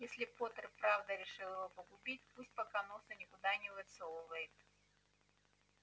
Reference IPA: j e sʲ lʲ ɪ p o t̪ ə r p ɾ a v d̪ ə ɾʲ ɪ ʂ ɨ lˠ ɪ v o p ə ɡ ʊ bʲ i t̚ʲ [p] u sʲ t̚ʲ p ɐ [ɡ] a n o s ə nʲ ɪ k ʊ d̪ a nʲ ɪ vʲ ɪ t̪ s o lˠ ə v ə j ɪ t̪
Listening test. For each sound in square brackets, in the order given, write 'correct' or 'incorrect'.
correct, incorrect

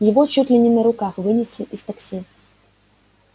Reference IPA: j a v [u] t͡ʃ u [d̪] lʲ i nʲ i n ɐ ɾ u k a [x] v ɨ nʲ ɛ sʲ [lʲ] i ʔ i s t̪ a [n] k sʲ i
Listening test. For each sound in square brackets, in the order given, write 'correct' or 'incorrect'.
incorrect, incorrect, correct, correct, incorrect

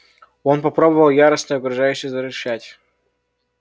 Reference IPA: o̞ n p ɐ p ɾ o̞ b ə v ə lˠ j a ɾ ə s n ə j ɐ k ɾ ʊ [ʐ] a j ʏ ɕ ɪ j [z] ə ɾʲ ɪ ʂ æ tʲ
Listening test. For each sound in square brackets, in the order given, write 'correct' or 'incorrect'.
correct, correct

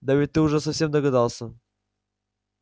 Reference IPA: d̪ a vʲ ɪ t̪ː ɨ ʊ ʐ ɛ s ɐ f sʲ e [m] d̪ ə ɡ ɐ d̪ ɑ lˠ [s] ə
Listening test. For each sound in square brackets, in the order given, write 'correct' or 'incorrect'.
correct, correct

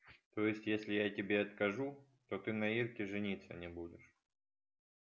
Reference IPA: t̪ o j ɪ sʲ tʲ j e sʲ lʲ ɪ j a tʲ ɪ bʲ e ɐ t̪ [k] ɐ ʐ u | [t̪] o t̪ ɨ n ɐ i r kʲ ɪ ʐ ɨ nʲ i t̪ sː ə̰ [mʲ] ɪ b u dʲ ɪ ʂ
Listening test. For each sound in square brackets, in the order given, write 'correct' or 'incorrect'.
correct, correct, incorrect

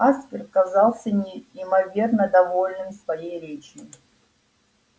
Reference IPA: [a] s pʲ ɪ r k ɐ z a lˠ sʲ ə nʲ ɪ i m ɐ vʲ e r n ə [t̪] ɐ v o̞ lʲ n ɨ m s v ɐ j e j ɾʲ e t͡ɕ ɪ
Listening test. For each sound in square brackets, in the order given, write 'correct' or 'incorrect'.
correct, incorrect

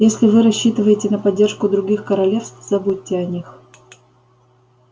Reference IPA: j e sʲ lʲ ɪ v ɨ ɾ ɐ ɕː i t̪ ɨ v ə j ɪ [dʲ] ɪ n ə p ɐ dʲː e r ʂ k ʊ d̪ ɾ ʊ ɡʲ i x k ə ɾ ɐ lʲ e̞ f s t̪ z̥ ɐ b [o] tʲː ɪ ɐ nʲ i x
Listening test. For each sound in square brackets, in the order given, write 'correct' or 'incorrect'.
incorrect, incorrect

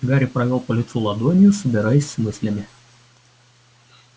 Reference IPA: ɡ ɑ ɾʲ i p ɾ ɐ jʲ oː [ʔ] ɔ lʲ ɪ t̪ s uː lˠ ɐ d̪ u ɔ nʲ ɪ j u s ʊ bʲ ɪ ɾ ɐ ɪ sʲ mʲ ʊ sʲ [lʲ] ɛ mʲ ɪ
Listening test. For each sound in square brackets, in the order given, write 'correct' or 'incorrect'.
incorrect, correct

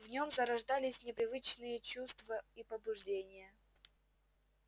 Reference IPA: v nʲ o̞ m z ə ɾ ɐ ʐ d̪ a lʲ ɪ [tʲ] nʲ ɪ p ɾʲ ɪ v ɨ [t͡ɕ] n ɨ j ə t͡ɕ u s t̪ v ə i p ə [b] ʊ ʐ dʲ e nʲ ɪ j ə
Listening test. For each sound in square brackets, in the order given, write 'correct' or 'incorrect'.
incorrect, correct, correct

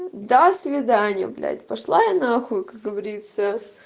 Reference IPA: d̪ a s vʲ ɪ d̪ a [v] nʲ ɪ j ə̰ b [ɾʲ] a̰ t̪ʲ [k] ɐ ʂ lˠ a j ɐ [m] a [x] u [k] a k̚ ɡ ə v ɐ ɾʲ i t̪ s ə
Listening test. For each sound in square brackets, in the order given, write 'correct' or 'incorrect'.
incorrect, incorrect, incorrect, incorrect, correct, correct

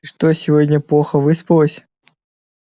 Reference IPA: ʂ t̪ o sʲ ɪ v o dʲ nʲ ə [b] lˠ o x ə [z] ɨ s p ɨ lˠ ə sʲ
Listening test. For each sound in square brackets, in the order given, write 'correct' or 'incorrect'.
incorrect, incorrect

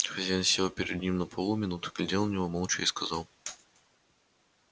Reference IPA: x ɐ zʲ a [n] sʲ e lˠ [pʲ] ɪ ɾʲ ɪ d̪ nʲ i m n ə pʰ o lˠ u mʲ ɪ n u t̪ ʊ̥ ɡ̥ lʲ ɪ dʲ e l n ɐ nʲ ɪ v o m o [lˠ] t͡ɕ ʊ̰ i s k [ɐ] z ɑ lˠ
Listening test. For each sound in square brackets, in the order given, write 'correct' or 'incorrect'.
correct, correct, correct, correct

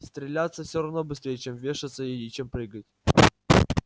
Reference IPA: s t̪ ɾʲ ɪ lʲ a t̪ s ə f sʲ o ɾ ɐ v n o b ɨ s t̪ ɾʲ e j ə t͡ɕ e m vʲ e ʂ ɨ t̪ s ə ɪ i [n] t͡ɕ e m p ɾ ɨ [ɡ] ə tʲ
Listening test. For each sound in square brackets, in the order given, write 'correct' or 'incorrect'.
incorrect, correct

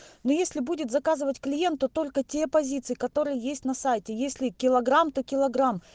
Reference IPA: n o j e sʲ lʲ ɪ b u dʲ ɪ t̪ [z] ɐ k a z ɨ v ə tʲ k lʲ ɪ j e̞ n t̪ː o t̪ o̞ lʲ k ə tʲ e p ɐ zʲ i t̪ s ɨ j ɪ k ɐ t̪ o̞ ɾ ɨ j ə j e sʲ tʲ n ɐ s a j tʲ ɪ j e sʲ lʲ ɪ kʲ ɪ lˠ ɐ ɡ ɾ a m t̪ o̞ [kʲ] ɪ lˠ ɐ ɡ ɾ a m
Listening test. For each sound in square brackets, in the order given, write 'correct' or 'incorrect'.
correct, correct

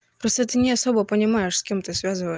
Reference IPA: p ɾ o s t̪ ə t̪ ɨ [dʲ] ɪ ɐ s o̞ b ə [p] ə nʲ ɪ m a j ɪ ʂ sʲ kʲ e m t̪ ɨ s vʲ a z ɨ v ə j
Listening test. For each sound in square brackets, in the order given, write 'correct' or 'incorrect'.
incorrect, correct

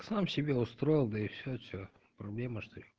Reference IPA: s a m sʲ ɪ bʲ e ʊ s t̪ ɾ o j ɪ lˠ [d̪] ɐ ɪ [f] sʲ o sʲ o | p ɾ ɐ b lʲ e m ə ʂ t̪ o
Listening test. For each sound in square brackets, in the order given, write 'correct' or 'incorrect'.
correct, correct

